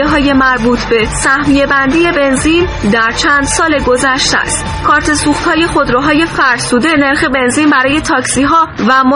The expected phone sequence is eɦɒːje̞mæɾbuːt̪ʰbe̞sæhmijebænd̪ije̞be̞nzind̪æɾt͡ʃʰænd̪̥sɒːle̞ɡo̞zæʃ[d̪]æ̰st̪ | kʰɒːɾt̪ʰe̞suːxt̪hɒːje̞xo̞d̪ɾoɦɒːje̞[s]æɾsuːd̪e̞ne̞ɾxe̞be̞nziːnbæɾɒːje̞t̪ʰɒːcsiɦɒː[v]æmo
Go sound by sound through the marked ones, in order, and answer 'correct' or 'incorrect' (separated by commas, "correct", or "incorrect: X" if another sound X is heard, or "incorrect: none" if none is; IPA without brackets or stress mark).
incorrect: t̪, incorrect: f, correct